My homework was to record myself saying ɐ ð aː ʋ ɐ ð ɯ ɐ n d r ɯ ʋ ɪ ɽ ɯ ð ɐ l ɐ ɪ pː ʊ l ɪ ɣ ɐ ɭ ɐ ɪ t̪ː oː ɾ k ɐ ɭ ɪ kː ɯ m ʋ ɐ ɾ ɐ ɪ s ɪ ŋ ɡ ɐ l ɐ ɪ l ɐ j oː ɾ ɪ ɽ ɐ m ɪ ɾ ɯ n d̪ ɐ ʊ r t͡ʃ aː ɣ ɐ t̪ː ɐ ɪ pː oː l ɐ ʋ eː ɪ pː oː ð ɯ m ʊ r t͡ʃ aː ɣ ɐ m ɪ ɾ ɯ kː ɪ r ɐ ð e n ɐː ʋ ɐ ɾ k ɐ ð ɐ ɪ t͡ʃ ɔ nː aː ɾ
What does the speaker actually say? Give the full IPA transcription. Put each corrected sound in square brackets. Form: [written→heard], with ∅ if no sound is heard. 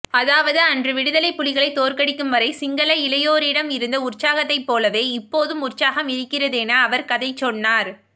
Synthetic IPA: ɐ ð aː ʋ ɐ ð ɯ ɐ n d r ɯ ʋ ɪ ɽ ɯ ð ɐ l ɐ ɪ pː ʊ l ɪ ɣ ɐ ɭ ɐ ɪ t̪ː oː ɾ k ɐ [ɭ→ɽ] ɪ kː ɯ m ʋ ɐ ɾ ɐ ɪ s ɪ ŋ ɡ ɐ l ɐ ɪ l ɐ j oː ɾ ɪ ɽ ɐ m ɪ ɾ ɯ n d̪ ɐ ʊ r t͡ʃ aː ɣ ɐ t̪ː ɐ ɪ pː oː l ɐ ʋ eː ɪ pː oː ð ɯ m ʊ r t͡ʃ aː ɣ ɐ m ɪ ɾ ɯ kː ɪ r ɐ ð e n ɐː ʋ ɐ ɾ k ɐ ð ɐ ɪ t͡ʃ ɔ nː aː ɾ